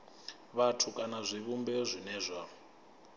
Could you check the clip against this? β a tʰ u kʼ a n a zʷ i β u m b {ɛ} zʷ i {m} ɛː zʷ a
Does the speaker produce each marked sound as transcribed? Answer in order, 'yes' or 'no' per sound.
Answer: yes, no

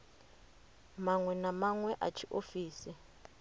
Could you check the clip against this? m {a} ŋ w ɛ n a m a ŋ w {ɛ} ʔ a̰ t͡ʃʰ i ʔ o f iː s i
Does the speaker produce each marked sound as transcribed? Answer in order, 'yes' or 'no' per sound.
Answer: yes, yes

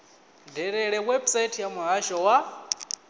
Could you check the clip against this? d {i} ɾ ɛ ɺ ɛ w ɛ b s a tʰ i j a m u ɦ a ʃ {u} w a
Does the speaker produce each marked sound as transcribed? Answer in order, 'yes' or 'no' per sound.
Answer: no, no

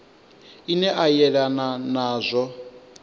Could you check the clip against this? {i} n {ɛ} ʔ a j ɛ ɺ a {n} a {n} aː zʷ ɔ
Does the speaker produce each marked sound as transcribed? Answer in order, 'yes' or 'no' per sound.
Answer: yes, yes, yes, yes

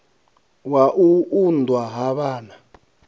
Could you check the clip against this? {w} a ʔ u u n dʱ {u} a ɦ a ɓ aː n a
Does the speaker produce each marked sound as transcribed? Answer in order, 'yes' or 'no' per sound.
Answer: yes, no

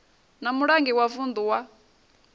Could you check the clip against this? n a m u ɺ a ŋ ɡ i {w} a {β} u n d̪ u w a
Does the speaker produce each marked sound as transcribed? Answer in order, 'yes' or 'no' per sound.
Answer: yes, no

